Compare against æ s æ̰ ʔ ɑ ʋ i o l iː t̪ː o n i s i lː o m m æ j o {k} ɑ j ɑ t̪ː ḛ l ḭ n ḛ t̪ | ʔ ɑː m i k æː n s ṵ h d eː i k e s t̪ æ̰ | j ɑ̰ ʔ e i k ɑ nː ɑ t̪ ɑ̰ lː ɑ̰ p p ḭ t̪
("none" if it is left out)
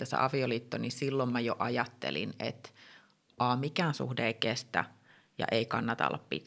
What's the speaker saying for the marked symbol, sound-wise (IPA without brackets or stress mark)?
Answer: ʔ